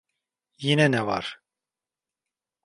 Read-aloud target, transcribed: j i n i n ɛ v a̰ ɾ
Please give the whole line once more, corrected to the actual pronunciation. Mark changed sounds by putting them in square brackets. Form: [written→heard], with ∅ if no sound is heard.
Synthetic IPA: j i n [i→ɛ] n ɛ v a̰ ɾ